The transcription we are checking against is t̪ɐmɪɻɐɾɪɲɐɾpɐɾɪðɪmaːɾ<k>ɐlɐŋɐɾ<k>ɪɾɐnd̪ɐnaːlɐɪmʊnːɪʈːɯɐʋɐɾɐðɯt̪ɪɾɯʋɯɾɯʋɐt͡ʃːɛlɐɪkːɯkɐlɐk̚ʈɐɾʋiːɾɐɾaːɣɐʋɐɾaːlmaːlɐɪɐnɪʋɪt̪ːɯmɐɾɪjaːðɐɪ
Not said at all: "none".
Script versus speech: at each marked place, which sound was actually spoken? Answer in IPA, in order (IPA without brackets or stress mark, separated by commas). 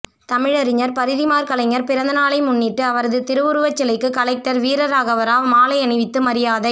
k, p